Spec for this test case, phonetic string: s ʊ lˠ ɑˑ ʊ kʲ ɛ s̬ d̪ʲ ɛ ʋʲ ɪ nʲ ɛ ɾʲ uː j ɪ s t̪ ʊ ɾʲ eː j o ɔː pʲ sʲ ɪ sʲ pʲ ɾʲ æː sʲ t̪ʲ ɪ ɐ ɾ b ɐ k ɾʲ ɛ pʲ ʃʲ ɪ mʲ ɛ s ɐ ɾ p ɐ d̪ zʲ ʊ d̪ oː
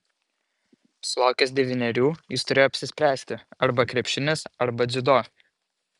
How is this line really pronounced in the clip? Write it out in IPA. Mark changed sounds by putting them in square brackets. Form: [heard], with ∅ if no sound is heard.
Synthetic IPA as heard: s ʊ lˠ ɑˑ ʊ kʲ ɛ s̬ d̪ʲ ɛ ʋʲ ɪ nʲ ɛ ɾʲ uː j ɪ s t̪ ʊ ɾʲ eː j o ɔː pʲ sʲ ɪ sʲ pʲ ɾʲ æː sʲ t̪ʲ ɪ ɐ ɾ b ɐ k ɾʲ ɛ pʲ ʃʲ ɪ [nʲ] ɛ s ɐ ɾ [b] ɐ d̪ zʲ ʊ d̪ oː